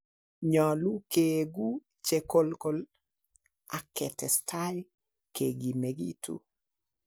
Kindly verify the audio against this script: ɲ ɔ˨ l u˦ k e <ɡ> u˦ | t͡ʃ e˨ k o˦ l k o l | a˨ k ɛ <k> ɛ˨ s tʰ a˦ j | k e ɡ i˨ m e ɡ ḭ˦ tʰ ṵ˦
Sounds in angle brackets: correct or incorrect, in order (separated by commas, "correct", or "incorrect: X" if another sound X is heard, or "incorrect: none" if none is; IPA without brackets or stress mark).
correct, incorrect: t